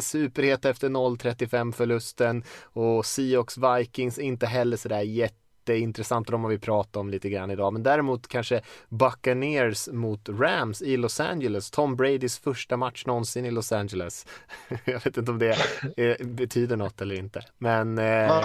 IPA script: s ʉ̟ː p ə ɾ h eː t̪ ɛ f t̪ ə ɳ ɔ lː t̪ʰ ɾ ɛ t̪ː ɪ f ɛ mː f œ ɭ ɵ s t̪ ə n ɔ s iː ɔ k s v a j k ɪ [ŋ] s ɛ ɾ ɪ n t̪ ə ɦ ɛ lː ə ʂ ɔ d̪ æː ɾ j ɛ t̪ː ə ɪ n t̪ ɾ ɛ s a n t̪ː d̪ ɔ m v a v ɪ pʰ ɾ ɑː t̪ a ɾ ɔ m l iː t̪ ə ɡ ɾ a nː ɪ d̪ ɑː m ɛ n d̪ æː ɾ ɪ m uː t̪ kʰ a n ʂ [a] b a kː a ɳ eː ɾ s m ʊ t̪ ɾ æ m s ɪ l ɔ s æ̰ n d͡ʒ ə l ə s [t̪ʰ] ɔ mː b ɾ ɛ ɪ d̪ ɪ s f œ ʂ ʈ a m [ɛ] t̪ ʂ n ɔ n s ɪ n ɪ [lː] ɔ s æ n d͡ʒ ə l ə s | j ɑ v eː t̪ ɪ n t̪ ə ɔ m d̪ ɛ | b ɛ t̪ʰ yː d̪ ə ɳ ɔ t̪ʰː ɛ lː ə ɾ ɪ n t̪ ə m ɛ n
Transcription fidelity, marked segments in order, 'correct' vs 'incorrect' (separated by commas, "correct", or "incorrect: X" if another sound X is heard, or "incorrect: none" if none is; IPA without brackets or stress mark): correct, incorrect: ə, correct, incorrect: a, incorrect: l